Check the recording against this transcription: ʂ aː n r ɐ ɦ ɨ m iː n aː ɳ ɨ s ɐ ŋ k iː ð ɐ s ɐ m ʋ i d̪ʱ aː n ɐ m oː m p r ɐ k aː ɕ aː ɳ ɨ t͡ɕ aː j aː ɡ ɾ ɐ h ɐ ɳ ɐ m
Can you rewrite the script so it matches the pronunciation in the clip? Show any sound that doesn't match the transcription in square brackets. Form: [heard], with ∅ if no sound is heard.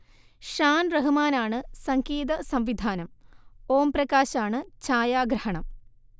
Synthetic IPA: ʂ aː n r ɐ ɦ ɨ m [aː] n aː ɳ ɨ s ɐ ŋ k iː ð ɐ s ɐ m ʋ i d̪ʱ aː n ɐ m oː m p r ɐ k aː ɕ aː ɳ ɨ t͡ɕ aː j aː ɡ ɾ ɐ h ɐ ɳ ɐ m